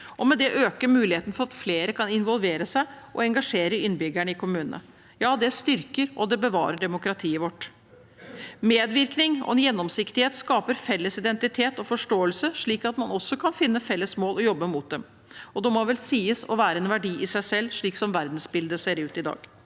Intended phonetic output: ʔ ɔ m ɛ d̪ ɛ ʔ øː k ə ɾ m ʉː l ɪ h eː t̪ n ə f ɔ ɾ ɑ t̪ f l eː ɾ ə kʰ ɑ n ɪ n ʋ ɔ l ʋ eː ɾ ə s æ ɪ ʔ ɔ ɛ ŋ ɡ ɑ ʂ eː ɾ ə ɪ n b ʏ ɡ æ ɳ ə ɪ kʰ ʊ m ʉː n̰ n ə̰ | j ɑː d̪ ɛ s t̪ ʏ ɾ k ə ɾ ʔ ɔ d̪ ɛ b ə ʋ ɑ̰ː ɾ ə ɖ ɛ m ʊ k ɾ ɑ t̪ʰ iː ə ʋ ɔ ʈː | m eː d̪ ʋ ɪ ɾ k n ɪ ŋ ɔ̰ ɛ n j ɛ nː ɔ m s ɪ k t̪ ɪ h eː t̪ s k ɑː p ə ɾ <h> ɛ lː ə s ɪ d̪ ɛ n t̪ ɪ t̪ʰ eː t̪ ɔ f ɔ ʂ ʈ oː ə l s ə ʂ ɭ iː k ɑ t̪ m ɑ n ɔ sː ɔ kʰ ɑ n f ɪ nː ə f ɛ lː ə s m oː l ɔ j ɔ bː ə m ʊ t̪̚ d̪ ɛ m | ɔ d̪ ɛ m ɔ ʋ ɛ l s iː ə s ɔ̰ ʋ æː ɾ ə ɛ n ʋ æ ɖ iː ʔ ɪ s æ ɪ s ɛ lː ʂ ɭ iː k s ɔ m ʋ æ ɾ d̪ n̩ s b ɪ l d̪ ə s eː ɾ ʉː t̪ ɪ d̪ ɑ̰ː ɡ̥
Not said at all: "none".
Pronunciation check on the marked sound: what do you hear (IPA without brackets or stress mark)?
f